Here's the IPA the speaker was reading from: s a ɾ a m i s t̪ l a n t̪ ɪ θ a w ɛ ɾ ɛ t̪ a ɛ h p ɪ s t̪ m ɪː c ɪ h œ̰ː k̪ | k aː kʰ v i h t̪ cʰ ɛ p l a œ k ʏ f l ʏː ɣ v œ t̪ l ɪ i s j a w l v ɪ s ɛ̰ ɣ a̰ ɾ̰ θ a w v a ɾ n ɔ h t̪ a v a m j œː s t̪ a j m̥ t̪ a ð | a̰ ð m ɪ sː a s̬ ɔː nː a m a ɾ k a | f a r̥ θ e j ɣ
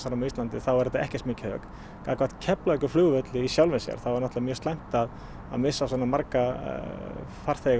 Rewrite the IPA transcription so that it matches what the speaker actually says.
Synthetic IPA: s a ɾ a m i s t̪ l a n t̪ ɪ θ a w ɛ ɾ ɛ t̪ a ɛ h c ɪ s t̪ m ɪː c ɪ h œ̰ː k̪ | k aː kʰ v a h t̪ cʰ ɛ p l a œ k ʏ f l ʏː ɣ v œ t̪ l ɪ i s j a w l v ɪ s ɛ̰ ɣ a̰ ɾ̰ θ a w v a ɾ n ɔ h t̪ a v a m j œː s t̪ a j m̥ t̪ a ð | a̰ ð m ɪ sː a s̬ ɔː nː a m a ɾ k a | f a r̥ θ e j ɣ